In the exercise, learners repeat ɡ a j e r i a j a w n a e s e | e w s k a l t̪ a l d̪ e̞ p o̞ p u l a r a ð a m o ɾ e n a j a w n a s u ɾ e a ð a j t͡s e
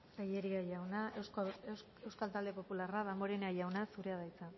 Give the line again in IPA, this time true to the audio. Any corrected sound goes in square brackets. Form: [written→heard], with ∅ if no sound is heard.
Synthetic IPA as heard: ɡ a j e [r→ɾ] i a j a w n a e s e | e w s k a l t̪ a l d̪ e̞ p o̞ p u l a r a ð a m o ɾ e n a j a w n a s u ɾ e a ð a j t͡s [e→a]